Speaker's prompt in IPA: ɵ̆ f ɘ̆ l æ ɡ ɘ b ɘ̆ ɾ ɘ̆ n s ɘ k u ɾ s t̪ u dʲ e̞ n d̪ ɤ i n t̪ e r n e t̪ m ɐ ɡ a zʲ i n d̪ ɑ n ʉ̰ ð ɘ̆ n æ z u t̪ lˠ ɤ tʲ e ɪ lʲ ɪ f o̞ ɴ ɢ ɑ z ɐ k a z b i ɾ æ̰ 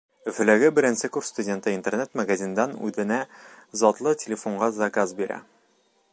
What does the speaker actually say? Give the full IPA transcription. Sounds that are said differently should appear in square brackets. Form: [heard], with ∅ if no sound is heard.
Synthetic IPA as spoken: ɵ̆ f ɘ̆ l æ ɡ ɘ b ɘ̆ ɾ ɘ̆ n s ɘ k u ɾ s t̪ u dʲ e̞ n [t̪] ɤ i n t̪ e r n e t̪ m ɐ ɡ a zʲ i n d̪ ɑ n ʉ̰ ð ɘ̆ n æ z [ɒ] t̪ lˠ ɤ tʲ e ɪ lʲ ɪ f o̞ ɴ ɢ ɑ z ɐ k a z b i ɾ æ̰